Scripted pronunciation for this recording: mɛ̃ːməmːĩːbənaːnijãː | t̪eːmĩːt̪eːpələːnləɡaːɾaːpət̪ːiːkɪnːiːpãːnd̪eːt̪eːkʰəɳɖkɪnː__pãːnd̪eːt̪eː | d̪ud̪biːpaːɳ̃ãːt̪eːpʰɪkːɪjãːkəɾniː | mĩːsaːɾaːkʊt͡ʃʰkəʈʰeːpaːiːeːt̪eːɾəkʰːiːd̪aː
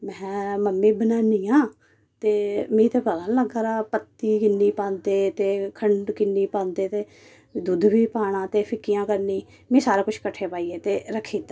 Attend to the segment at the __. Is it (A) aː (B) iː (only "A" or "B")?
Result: B